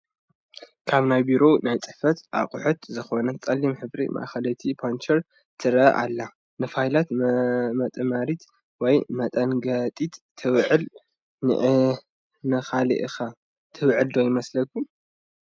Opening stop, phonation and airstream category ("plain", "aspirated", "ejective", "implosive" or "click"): aspirated